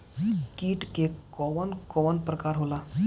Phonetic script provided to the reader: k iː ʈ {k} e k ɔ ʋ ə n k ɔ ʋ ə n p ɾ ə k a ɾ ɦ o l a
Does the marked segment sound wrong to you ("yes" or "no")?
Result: no